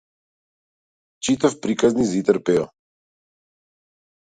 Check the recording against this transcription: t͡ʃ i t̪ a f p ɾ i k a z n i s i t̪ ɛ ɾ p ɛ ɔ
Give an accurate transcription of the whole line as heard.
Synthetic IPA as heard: t͡ʃ i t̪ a f p ɾ i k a z n i z i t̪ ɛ ɾ p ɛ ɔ